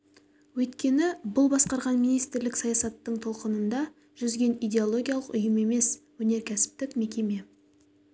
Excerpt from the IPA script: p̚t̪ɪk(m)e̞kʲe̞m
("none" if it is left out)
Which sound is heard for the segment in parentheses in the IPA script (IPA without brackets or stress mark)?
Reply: m